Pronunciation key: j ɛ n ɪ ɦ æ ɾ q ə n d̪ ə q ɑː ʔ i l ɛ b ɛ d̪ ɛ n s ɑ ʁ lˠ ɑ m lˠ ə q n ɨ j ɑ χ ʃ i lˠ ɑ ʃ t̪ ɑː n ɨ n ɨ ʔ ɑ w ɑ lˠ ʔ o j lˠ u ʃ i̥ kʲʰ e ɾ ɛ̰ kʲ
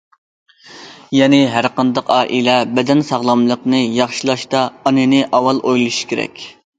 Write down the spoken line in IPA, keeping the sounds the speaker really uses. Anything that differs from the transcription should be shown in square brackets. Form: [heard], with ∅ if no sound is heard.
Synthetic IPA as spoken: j ɛ n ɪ ɦ æ ɾ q ə n d̪ ə q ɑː ʔ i l ɛ b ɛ d̪ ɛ n s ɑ ʁ lˠ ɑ m lˠ ə q n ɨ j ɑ χ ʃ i lˠ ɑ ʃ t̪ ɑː n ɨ n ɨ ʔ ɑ w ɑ lˠ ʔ o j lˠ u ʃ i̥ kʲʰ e ɾ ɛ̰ kʲ